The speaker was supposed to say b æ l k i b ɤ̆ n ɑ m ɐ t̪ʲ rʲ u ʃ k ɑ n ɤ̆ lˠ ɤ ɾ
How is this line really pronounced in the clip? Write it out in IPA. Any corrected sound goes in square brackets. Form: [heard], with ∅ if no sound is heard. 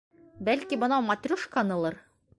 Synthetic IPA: b æ l k i b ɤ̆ n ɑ m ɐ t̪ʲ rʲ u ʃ k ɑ n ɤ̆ lˠ ɤ ɾ